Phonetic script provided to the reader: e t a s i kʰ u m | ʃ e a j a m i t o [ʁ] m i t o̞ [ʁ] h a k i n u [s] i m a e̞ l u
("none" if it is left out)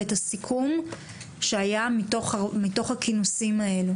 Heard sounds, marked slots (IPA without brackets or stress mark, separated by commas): χ, χ, s